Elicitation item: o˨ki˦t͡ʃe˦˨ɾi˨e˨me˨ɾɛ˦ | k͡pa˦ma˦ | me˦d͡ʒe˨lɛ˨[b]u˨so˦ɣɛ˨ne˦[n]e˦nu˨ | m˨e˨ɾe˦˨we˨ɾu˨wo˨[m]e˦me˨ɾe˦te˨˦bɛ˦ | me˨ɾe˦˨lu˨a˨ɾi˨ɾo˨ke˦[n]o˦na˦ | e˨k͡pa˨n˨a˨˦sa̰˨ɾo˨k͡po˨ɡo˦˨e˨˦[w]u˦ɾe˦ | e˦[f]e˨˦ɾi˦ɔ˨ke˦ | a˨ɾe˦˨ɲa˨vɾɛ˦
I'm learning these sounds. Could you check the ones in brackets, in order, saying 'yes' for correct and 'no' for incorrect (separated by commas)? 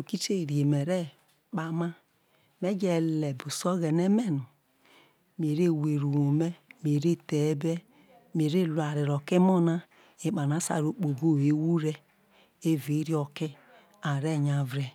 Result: yes, no, yes, no, yes, no